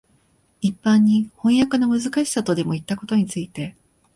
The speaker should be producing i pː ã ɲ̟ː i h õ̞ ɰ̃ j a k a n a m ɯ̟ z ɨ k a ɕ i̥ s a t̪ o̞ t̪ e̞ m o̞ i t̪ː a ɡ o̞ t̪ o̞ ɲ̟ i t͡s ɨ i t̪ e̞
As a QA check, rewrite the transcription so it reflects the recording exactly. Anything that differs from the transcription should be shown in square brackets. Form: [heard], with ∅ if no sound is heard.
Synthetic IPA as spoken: i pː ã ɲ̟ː i h õ̞ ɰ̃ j a k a n a m ɯ̟ z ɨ k a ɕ i̥ s a t̪ o̞ [d̪] e̞ m o̞ i t̪ː a [k] o̞ t̪ o̞ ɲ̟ i t͡s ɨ i t̪ e̞